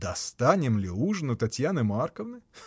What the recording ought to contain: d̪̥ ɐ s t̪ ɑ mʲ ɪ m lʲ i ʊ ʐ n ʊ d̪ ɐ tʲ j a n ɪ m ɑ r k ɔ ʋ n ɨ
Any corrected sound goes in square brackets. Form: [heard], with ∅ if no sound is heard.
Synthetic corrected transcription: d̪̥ ɐ s t̪ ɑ [nʲ] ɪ m lʲ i [u] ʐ n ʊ [t̪] ɐ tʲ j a n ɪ m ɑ r k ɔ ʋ n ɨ